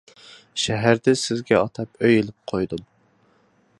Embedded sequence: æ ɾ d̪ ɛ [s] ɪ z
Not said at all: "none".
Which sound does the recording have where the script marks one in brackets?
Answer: s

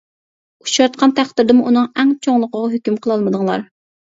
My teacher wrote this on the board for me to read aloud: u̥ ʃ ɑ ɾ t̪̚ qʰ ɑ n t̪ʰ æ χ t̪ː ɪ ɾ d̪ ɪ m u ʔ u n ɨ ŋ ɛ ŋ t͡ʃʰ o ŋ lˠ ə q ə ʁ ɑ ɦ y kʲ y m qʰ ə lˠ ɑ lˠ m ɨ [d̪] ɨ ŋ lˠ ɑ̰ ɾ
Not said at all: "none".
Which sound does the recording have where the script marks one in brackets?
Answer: d̪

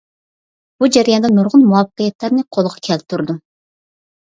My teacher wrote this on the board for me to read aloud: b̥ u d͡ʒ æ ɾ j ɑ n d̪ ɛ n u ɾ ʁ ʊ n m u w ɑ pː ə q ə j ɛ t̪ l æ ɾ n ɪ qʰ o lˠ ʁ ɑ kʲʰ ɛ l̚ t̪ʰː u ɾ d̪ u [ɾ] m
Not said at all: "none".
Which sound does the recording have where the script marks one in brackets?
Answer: none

